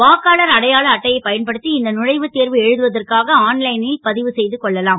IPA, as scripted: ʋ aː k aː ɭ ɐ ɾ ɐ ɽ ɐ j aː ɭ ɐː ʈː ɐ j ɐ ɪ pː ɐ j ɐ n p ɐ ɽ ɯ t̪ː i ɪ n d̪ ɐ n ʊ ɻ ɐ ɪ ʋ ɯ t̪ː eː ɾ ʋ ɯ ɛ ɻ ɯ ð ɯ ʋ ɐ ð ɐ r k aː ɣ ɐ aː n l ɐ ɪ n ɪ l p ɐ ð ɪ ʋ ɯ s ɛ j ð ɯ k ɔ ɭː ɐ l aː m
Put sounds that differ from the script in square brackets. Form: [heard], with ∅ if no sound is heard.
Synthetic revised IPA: ʋ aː k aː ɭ ɐ ɾ ɐ ɽ ɐ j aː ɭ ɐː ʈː ɐ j ɐ ɪ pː ɐ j ɐ n p ɐ ɽ ɯ t̪ː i ɪ n d̪ ɐ n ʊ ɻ ɐ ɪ ʋ ɯ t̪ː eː ɾ ʋ ɯ ɛ ɻ ɯ ð ɯ ʋ ɐ ð ɐ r k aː ɣ ɐ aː n l ɐ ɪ n ɪ l p ɐ ð ɪ ʋ ɯ s ɛ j ð ɯ k ɔ ɭː ɐ l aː m